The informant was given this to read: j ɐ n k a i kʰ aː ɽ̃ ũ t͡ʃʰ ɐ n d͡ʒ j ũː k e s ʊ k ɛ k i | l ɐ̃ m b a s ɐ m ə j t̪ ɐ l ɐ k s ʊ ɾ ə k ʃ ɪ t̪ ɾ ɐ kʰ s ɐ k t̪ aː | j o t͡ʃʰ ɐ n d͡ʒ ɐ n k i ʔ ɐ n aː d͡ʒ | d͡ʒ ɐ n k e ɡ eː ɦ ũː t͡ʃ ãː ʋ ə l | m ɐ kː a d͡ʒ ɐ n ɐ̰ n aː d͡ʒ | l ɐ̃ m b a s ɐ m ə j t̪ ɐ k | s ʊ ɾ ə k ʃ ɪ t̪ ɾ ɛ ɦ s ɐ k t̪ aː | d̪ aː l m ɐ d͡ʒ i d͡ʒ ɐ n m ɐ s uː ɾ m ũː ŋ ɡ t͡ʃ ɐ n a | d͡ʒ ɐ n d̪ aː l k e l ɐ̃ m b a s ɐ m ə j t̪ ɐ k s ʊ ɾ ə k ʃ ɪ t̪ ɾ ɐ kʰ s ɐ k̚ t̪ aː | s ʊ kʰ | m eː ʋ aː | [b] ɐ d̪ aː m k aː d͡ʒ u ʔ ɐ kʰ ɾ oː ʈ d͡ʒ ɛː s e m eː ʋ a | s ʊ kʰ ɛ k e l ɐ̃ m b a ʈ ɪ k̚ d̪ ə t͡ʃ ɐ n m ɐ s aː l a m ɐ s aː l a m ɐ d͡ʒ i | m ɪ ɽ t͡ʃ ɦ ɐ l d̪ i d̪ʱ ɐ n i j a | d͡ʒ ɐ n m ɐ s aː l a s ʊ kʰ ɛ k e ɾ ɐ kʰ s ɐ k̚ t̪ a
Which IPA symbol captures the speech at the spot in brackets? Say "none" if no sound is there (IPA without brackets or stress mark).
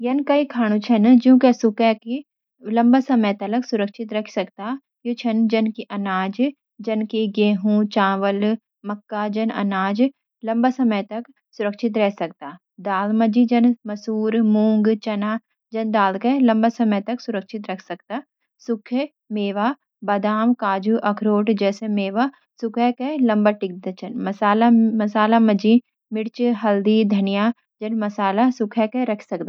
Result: b